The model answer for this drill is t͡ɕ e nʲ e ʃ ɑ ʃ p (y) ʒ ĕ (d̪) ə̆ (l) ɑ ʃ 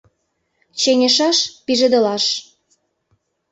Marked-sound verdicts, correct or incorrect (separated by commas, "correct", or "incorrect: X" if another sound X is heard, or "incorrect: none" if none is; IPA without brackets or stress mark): incorrect: i, correct, correct